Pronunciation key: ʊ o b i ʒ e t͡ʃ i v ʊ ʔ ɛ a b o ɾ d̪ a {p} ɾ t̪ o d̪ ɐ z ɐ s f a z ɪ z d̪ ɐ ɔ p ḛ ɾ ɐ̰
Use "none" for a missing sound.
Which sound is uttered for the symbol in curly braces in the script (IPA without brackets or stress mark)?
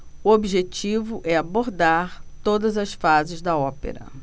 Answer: none